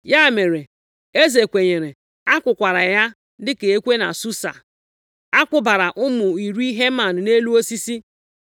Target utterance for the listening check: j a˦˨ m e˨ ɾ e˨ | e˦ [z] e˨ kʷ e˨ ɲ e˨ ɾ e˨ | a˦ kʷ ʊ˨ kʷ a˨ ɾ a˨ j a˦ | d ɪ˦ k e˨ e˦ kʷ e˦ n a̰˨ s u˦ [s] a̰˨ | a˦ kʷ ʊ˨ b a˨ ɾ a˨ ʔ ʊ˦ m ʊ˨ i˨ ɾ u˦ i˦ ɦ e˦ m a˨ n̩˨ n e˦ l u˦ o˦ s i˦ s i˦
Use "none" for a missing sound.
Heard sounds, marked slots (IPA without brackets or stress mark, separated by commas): z, s